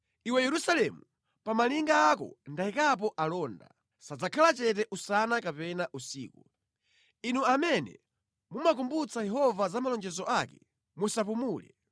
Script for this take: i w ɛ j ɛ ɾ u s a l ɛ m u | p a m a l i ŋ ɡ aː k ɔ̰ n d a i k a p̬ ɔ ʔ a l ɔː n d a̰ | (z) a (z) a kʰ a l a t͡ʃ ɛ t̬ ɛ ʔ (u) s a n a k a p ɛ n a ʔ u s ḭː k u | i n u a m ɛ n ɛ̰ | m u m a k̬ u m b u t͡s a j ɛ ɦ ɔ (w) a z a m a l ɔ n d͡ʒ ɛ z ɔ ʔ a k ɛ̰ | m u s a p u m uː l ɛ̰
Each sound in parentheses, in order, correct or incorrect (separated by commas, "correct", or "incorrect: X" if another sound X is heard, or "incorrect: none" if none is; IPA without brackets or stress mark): incorrect: s, incorrect: d͡z, correct, incorrect: v